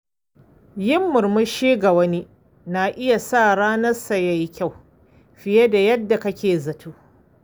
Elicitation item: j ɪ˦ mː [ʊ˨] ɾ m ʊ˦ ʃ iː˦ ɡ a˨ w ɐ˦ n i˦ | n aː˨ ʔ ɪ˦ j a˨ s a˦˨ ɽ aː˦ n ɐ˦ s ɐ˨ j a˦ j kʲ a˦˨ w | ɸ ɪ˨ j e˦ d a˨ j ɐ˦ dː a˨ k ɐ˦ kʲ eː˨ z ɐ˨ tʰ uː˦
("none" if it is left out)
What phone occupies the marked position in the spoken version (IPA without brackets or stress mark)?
ʊ˨